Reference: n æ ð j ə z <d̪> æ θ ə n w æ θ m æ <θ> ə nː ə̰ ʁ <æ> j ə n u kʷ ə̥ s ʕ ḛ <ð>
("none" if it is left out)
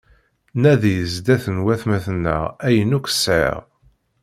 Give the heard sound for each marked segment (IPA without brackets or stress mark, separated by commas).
d̪, θ, æ, ʁ